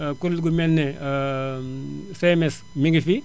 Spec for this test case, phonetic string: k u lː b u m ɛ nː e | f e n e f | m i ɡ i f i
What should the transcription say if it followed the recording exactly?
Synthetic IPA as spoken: k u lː ɡ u m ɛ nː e | s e m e s | m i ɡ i f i